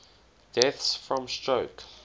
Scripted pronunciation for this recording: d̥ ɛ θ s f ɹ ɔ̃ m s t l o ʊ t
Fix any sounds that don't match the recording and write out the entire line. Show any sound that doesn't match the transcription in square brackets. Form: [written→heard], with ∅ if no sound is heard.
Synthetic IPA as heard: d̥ ɛ θ s f ɹ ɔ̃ m s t [l→ɹ] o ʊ [t→k]